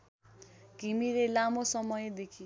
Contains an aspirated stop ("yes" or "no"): yes